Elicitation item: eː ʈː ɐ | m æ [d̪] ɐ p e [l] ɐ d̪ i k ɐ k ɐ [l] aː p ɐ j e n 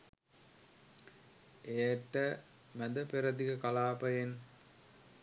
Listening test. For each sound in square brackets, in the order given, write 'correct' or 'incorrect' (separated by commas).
correct, incorrect, correct